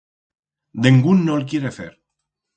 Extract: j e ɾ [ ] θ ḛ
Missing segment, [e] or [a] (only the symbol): e